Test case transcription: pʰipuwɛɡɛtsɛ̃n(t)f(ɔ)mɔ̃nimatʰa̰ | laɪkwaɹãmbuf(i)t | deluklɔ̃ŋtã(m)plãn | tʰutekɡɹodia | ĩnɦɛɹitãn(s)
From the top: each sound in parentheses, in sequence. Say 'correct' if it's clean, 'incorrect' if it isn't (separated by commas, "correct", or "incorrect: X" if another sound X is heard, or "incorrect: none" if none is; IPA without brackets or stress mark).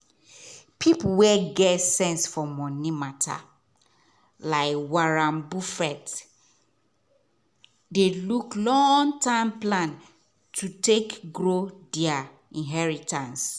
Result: incorrect: s, correct, incorrect: ɛ, correct, correct